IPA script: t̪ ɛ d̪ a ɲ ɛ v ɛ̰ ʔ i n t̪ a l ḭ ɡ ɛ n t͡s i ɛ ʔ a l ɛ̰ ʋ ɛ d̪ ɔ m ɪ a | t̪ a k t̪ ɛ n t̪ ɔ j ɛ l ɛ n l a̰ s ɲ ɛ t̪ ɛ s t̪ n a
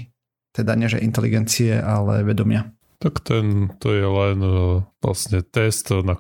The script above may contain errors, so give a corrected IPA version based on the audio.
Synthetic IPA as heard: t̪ ɛ d̪ a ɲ ɛ ʒ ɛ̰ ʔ i n t̪ ɛ l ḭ ɡ ɛ n t͡s i ɛ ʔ a l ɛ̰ ʋ ɛ d̪ ɔ m ɪ a | t̪ a k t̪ ɛ n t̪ ɔ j ɛ l ɛ n l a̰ s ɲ ɛ t̪ ɛ s t̪ n a